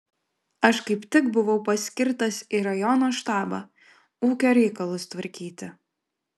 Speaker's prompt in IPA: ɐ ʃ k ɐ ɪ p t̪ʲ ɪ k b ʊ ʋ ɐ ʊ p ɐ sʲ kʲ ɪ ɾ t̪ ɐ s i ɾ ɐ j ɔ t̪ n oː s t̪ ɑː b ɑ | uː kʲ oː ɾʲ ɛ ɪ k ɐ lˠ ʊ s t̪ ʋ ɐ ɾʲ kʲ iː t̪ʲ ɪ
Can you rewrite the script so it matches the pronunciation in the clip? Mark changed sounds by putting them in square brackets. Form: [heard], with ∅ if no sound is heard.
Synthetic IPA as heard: ɐ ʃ k ɐ ɪ p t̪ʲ ɪ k b ʊ ʋ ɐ ʊ p ɐ sʲ kʲ ɪ ɾ t̪ ɐ s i ɾ ɐ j ɔ [∅] n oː [ʃ] t̪ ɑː b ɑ | uː kʲ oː ɾʲ ɛ ɪ k ɐ lˠ ʊ s t̪ ʋ ɐ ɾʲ kʲ iː t̪ʲ ɪ